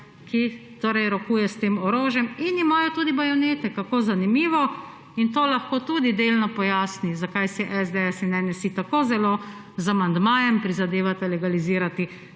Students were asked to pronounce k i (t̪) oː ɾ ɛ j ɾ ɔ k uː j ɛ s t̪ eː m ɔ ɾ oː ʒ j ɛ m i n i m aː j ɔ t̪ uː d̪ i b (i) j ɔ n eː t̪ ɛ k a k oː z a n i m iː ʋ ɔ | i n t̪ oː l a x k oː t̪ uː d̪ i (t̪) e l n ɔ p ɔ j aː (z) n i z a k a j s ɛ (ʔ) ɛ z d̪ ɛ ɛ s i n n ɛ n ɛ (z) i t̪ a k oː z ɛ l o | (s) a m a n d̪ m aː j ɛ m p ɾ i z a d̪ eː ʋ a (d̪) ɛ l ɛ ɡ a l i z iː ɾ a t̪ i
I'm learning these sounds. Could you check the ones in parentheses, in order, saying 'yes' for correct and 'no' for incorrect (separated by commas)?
yes, no, no, no, yes, no, no, no